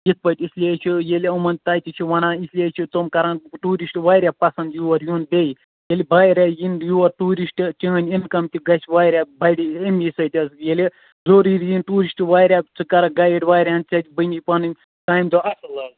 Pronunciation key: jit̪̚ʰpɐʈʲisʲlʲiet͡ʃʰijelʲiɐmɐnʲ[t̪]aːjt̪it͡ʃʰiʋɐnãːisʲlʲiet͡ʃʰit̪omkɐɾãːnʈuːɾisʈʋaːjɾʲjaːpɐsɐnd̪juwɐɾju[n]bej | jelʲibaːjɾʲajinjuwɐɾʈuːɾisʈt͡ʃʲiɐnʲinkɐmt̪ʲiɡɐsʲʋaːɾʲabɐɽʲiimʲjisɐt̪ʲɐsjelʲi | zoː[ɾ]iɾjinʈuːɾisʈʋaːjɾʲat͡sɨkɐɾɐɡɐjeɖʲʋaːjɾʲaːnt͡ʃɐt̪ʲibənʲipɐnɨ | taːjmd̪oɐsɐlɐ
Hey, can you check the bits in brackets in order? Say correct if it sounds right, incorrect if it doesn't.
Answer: correct, correct, correct

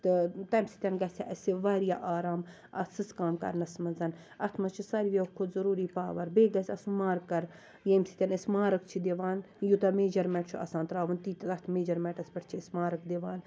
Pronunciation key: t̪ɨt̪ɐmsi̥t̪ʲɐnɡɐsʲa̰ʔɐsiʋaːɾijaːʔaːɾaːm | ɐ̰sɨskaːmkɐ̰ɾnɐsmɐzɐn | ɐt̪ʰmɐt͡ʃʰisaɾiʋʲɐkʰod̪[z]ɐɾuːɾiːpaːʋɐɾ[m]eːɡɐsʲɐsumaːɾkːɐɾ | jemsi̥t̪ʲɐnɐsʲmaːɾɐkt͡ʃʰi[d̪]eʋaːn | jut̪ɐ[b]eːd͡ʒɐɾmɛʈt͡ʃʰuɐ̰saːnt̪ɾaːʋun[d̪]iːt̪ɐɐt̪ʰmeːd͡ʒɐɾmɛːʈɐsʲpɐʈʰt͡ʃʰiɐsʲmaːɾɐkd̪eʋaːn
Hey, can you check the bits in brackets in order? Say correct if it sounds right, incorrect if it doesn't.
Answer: correct, incorrect: b, correct, incorrect: m, incorrect: t̪

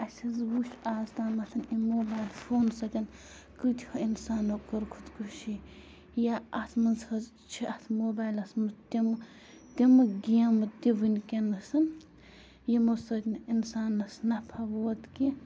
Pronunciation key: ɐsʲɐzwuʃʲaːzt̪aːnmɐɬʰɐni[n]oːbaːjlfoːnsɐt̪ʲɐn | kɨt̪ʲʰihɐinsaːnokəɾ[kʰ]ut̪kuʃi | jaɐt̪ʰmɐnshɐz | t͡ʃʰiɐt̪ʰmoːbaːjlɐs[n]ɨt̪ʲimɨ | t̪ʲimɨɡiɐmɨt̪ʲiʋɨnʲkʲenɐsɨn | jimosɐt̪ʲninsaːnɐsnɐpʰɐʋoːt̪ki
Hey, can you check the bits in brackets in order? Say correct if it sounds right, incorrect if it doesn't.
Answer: incorrect: m, correct, incorrect: m

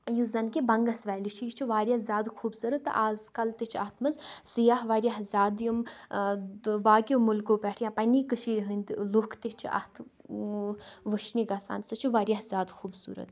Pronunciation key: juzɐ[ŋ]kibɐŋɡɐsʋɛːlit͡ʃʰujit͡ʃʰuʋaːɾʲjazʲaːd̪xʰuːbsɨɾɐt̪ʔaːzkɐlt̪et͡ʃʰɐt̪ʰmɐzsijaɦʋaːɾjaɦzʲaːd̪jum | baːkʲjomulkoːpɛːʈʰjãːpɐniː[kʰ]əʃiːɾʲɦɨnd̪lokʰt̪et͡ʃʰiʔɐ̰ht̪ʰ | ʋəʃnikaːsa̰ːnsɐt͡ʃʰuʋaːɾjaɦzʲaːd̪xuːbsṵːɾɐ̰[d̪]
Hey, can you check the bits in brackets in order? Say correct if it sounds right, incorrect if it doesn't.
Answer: incorrect: n, incorrect: k, incorrect: t̪

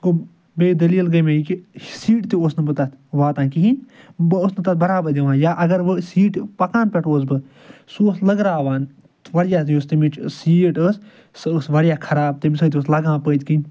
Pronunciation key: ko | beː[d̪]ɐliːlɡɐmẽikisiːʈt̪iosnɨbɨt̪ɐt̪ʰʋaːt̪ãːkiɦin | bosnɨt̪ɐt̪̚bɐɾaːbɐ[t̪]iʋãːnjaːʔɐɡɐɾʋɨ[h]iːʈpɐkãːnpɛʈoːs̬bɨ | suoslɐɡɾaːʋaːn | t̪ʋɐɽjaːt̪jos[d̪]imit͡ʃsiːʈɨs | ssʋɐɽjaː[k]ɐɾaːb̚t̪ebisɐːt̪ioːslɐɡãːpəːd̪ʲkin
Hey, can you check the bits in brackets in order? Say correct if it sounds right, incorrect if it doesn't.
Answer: correct, incorrect: d̪, incorrect: s, incorrect: t̪, incorrect: kʰ

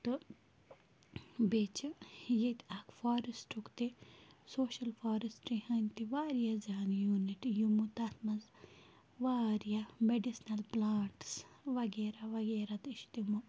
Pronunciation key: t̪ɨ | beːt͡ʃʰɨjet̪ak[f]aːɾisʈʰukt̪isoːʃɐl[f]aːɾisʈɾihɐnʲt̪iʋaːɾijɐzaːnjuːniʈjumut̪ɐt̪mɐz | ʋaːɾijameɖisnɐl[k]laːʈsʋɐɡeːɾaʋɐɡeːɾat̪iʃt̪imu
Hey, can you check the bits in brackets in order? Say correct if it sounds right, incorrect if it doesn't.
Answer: correct, correct, incorrect: p

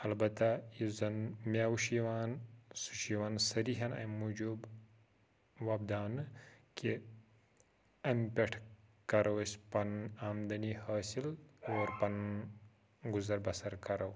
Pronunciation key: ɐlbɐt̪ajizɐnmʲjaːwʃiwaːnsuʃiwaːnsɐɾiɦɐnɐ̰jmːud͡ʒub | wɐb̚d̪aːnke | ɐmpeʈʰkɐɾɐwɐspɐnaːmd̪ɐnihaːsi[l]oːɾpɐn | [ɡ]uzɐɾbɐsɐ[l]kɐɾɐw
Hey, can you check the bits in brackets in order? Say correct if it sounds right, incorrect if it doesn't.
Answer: correct, correct, incorrect: ɾ

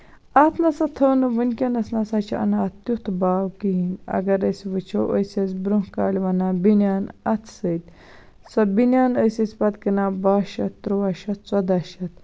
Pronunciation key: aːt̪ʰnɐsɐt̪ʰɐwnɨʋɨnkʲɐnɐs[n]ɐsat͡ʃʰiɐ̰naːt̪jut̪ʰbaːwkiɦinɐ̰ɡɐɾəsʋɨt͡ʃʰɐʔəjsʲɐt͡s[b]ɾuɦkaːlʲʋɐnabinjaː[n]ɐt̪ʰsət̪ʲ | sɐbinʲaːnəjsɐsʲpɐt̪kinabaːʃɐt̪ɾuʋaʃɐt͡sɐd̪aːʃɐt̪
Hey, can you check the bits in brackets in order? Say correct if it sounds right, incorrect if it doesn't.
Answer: correct, correct, correct

